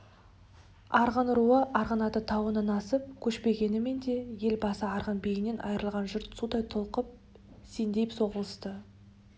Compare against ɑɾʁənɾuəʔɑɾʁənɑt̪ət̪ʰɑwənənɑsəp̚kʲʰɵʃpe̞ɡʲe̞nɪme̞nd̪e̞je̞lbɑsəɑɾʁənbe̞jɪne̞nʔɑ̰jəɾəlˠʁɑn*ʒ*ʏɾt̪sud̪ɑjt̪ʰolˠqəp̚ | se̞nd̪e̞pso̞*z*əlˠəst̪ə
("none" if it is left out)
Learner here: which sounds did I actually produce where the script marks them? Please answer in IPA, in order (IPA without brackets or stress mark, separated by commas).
ʒ, ʁ